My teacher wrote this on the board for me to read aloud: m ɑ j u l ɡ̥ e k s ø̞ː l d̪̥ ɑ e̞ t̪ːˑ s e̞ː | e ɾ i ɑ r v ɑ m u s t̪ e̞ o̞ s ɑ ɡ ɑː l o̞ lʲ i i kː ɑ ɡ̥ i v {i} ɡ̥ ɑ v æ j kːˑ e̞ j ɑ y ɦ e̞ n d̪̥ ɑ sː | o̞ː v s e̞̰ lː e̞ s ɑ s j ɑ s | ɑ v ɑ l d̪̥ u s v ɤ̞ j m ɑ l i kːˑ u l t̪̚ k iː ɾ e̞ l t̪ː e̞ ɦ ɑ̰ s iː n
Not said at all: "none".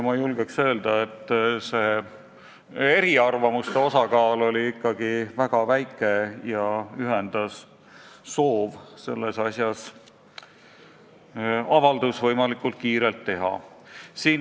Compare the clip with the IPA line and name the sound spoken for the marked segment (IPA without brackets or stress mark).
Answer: æ